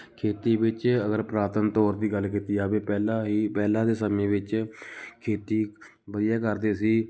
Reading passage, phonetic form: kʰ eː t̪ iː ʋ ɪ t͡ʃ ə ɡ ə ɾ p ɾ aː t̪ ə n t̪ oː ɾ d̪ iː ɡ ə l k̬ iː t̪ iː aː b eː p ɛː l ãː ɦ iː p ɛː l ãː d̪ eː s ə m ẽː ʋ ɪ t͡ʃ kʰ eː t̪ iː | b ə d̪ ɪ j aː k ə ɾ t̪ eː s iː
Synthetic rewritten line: kʰ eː t̪ iː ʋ ɪ t͡ʃ ə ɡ ə ɾ p ɾ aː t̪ ə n t̪ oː ɾ d̪ iː ɡ ə l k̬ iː t̪ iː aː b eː p ɛː l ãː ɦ iː p ɛː l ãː d̪ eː s ə m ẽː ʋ ɪ t͡ʃ kʰ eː t̪ iː | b ə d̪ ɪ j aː k ə ɾ d̪ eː s iː